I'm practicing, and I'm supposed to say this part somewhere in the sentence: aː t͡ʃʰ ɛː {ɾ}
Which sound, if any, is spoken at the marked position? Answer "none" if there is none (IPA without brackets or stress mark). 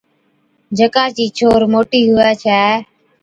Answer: none